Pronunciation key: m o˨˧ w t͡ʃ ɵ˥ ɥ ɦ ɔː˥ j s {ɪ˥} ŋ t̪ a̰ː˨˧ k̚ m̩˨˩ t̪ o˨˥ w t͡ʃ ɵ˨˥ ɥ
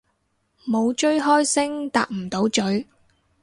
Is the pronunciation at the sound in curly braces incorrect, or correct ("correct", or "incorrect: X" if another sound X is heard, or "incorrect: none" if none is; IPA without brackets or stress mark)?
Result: correct